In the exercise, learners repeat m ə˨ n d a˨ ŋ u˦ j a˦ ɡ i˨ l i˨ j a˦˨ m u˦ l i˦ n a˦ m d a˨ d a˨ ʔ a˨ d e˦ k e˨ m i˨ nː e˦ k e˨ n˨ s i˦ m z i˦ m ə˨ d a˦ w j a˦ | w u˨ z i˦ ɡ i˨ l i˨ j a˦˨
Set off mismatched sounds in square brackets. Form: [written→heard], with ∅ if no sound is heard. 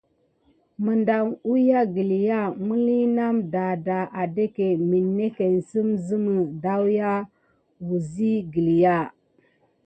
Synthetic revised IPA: m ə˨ n d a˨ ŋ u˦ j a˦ ɡ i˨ l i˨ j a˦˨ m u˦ l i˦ n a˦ m d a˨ d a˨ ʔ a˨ d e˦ k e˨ m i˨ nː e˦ k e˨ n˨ s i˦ m z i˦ m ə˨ d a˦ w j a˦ | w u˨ z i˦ ɡ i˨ l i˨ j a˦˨